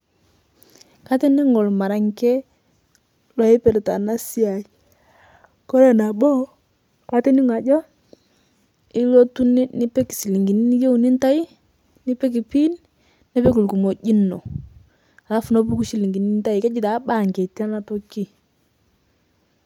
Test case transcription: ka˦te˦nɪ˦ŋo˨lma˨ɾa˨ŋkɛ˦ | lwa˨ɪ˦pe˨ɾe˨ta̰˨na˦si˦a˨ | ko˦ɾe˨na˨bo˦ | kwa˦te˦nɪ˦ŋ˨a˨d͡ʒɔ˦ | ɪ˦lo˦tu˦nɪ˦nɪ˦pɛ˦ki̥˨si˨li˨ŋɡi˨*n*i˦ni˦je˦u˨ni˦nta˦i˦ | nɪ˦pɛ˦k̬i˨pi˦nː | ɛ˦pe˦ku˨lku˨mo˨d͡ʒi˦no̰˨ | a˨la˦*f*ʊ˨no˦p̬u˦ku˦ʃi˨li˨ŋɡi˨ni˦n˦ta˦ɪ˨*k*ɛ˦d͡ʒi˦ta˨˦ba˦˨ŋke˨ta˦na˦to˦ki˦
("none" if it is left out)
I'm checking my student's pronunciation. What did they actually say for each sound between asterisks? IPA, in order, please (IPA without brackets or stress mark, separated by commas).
n, f, k